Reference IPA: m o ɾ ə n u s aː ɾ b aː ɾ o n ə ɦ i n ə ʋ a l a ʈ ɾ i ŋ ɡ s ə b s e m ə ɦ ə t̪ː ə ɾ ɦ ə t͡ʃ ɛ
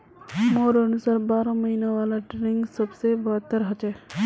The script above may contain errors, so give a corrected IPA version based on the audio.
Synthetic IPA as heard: m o ɾ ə n u s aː ɾ b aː ɾ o m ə ɦ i n a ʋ a l a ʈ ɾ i ŋ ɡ s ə b s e b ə ɦ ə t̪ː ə ɾ ɦ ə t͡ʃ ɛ